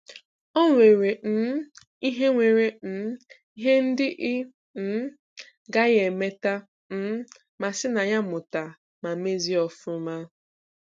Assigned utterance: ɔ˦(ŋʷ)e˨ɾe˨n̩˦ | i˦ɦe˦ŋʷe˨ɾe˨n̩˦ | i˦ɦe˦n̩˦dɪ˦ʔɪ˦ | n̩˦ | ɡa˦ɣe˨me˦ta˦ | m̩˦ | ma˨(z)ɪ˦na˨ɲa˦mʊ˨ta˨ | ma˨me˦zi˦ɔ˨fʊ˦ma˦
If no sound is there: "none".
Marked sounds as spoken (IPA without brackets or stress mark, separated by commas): ŋʷ, s